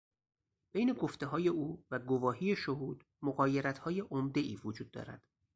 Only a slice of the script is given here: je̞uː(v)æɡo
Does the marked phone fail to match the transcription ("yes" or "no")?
no